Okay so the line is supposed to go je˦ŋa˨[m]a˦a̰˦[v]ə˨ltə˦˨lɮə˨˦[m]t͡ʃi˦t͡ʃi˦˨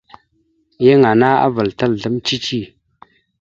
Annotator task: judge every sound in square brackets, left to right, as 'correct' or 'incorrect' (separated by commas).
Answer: incorrect, correct, correct